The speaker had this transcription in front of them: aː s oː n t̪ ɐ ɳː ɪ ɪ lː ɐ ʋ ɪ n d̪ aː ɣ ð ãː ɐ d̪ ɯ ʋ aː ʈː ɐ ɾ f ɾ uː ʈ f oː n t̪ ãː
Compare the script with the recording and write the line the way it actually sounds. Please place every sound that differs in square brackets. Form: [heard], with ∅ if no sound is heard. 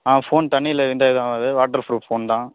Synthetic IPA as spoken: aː [f] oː n t̪ ɐ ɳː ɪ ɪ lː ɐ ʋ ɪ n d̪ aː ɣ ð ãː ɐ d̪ ɯ ʋ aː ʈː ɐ ɾ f ɾ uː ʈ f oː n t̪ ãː